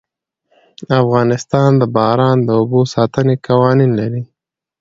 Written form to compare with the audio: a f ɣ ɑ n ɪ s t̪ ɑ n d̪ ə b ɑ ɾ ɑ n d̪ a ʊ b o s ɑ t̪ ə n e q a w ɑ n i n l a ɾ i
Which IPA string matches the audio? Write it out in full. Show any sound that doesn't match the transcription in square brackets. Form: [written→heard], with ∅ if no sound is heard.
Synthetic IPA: a f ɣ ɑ n ɪ s t̪ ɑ n d̪ ə b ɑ ɾ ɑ n d̪ [a→ə] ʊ b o s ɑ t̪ ə n e [q→k] a w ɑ n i n l a ɾ i